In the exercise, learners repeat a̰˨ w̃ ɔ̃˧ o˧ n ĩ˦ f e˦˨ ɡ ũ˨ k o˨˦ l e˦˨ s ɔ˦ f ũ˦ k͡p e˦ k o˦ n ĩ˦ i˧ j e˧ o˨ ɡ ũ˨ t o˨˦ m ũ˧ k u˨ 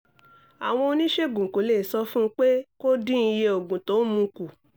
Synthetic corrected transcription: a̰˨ w̃ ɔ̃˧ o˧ n ĩ˦ ʃ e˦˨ ɡ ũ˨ k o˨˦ l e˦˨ s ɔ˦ f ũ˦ k͡p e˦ k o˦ d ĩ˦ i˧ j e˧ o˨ ɡ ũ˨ t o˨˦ m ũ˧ k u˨